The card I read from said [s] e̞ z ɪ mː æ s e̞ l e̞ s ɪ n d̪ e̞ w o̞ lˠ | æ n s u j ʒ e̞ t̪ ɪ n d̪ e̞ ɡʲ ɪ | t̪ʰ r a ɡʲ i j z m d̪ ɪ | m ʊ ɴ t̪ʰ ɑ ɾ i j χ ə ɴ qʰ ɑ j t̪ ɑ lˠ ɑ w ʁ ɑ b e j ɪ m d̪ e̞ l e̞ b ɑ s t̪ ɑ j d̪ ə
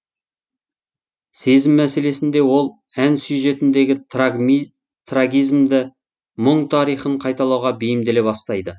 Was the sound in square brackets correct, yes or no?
yes